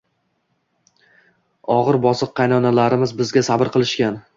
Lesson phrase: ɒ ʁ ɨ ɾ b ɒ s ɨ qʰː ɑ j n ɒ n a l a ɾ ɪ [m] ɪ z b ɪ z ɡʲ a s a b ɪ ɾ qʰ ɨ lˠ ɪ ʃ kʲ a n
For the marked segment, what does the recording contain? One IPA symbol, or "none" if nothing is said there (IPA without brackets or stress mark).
m